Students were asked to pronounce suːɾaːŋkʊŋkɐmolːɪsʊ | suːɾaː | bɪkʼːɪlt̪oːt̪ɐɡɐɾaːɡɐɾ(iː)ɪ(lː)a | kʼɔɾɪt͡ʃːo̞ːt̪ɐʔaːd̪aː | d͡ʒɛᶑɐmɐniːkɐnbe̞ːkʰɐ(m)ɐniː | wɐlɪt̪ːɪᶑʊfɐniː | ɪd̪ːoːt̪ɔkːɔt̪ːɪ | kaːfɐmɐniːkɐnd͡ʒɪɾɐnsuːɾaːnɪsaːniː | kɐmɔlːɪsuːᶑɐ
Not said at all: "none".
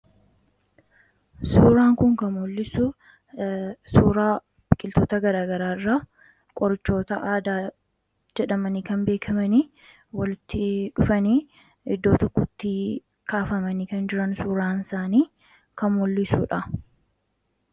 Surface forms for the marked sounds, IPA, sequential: aː, rː, m

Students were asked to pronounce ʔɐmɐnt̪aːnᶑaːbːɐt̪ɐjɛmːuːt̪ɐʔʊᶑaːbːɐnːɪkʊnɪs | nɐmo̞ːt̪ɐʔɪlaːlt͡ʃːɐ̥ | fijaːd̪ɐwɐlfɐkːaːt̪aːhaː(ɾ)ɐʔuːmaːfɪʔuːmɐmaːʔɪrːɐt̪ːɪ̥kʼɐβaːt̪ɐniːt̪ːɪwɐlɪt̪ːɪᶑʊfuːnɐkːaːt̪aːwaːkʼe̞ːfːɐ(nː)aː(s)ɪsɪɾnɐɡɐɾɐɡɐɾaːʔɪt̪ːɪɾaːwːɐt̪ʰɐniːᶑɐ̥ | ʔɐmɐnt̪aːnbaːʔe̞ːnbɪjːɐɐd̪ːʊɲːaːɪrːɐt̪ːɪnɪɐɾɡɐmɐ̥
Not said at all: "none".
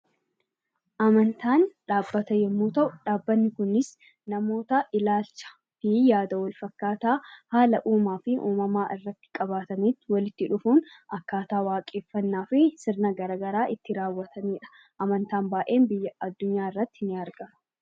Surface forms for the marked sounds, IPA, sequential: l, nː, f

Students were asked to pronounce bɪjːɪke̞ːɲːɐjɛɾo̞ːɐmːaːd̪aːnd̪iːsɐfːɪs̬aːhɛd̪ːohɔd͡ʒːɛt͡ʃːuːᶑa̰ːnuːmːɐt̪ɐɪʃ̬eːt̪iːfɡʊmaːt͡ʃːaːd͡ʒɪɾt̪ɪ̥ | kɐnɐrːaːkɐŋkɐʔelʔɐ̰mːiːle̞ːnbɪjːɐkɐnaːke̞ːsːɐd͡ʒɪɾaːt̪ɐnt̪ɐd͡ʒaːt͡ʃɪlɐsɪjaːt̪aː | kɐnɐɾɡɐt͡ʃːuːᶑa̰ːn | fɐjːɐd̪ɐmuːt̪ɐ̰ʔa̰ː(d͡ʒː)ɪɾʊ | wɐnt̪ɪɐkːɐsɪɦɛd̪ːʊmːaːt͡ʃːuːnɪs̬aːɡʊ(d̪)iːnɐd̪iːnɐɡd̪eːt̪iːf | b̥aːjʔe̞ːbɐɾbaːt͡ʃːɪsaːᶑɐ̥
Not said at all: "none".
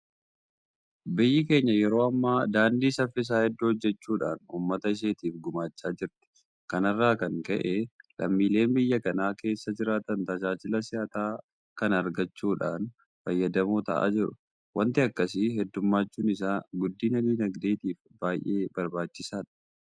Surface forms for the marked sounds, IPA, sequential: d͡ʒ, d̪ː

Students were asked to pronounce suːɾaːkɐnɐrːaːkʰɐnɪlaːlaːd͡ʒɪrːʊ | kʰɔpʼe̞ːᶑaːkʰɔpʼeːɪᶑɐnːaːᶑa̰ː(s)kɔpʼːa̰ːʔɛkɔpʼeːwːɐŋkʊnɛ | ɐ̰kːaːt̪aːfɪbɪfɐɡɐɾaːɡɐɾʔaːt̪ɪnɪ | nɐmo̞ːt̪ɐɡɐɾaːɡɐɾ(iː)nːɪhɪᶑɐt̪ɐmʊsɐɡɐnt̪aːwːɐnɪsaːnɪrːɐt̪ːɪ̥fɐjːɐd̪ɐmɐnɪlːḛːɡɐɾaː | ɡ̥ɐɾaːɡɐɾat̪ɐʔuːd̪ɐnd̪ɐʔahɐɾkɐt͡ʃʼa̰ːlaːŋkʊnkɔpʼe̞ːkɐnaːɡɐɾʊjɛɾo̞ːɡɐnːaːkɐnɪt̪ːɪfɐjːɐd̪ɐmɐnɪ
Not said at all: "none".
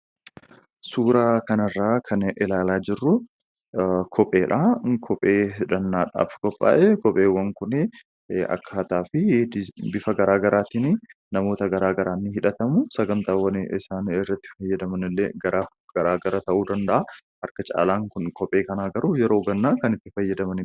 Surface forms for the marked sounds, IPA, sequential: f, aː

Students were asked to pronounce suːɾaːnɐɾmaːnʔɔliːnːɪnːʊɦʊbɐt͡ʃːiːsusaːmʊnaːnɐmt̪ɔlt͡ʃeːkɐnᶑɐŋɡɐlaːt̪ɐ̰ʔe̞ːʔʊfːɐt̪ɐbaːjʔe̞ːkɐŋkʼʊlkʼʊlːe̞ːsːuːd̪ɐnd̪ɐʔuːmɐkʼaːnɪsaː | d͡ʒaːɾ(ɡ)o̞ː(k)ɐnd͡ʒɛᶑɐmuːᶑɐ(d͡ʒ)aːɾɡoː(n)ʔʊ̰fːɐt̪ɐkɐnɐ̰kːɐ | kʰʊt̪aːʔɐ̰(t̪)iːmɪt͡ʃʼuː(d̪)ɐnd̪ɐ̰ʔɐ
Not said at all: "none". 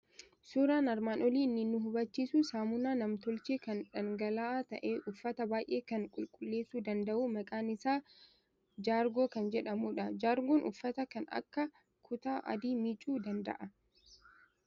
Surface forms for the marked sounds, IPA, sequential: ɡ, k, d͡ʒ, n, d̪, d̪

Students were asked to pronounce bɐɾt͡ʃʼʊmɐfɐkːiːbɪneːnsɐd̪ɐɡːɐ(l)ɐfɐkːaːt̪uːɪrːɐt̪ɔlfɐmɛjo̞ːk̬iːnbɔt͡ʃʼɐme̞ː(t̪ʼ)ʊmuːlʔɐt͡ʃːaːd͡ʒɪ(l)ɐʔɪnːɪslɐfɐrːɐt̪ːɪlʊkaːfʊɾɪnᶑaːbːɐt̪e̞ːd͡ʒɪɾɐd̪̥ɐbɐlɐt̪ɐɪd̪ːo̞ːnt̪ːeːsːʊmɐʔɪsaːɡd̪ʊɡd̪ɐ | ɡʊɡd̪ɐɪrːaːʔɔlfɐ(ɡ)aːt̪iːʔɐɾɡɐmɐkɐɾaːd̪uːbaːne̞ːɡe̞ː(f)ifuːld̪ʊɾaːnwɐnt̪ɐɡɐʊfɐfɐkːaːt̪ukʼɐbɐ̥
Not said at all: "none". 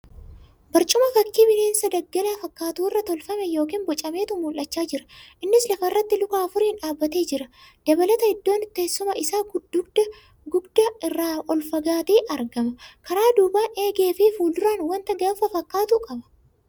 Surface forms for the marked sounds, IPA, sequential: l, t̪, ɾ, ɡ, f

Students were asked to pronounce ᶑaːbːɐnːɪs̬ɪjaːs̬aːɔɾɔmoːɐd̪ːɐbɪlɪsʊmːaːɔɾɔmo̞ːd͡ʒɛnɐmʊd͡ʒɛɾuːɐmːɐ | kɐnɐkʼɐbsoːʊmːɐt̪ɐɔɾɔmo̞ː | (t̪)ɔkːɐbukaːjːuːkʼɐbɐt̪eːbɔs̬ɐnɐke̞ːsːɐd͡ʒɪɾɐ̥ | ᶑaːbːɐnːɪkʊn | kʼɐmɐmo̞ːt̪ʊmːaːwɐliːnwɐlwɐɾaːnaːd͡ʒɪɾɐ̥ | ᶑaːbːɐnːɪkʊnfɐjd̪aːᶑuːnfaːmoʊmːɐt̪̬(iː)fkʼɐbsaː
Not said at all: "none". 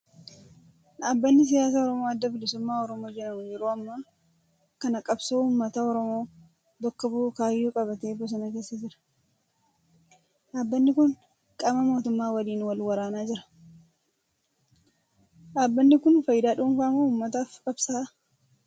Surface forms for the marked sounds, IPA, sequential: d̪, aː

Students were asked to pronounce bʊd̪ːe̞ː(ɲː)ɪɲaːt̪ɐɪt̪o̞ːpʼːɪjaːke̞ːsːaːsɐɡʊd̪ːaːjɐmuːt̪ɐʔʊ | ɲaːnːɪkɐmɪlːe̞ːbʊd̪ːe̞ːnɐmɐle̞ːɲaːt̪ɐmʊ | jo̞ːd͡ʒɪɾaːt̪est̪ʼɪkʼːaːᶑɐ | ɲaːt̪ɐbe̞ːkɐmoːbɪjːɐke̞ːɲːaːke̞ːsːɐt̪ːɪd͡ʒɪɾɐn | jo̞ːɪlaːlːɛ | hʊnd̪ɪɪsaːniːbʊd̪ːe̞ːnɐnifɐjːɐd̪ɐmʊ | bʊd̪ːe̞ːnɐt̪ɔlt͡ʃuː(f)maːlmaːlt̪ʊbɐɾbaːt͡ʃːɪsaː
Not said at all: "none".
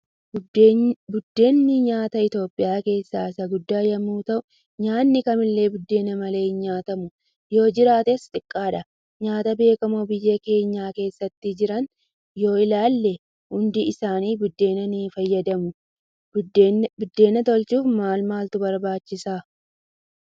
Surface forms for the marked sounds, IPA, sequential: nː, f

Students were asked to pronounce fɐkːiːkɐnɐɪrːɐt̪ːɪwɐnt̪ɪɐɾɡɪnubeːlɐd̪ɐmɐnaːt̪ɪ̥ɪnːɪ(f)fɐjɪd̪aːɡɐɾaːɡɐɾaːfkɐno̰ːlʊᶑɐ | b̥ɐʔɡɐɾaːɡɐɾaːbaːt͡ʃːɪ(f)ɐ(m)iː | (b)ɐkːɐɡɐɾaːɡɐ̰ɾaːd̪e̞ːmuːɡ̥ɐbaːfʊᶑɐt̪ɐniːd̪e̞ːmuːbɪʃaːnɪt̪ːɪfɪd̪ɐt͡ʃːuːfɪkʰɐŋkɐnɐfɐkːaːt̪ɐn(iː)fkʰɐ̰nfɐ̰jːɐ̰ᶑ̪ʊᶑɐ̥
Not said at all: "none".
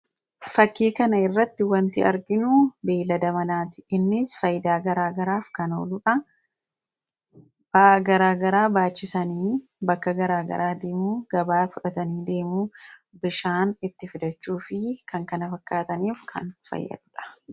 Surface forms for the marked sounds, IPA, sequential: s, s, n, b, iː

